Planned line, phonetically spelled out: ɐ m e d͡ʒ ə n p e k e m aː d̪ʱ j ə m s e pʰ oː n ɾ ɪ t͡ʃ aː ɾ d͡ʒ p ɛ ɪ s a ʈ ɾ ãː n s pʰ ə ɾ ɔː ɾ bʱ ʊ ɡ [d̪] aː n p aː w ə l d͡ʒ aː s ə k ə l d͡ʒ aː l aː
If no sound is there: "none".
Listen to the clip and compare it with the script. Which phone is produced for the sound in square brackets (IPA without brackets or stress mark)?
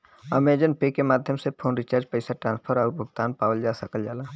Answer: t̪